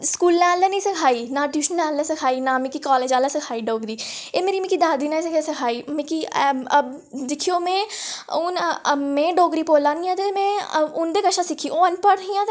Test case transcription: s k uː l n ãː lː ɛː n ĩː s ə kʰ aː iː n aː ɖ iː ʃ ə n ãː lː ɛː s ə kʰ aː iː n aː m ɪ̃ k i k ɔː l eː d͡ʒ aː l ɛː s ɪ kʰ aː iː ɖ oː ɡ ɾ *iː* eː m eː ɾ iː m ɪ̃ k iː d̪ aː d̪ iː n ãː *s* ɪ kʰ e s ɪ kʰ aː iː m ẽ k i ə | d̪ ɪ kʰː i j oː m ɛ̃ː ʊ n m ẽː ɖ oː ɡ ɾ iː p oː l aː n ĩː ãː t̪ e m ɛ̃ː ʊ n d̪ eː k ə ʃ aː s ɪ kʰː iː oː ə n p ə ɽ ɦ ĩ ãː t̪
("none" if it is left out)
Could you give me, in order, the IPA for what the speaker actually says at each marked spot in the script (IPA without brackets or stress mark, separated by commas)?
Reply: iː, s